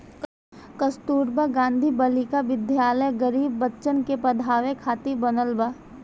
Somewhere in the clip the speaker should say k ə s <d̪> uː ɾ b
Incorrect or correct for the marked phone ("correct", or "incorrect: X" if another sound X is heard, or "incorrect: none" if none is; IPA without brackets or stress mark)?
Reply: incorrect: t̪